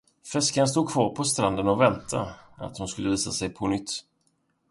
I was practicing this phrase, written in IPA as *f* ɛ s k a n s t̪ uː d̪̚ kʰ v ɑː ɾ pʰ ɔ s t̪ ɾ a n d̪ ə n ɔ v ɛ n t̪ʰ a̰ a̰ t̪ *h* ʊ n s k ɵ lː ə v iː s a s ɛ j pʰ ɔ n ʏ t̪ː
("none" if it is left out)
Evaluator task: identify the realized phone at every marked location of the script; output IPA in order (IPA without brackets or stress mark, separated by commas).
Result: f, h